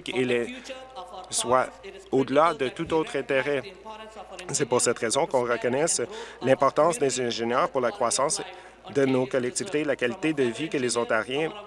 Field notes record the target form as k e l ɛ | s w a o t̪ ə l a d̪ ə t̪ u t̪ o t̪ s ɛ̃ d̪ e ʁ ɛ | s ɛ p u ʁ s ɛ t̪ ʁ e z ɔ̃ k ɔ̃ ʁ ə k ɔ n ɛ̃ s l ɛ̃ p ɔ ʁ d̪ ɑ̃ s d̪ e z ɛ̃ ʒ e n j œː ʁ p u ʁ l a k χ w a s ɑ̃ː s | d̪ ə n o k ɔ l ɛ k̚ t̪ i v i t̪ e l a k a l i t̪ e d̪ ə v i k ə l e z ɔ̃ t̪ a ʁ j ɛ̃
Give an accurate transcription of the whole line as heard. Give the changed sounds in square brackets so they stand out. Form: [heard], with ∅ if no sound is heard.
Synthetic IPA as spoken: k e l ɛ | s w a o [d̪] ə l a d̪ ə t̪ u t̪ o t̪ [χ] ɛ̃ [t̪] e ʁ ɛ | s ɛ p u ʁ s ɛ t̪ ʁ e z ɔ̃ k ɔ̃ ʁ ə k ɔ n [ɛ] s l ɛ̃ p ɔ ʁ [t̪] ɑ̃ s d̪ e z ɛ̃ ʒ e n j œː ʁ p u ʁ l a k χ w a s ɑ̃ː s | d̪ ə n o k ɔ l ɛ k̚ t̪ i v i t̪ e l a k a l i t̪ e d̪ ə v i k ə l e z ɔ̃ t̪ a ʁ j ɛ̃